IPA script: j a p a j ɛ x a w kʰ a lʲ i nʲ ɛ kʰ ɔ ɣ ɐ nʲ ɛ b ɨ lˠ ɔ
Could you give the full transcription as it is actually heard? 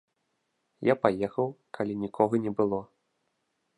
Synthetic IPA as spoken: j a p a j ɛ x ɐ w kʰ a lʲ i nʲ i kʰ ɔ ɣ ɐ nʲ ɛ b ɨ lˠ ɔ